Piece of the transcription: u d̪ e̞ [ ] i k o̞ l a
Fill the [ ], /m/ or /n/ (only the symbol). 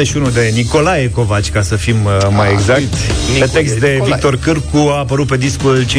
n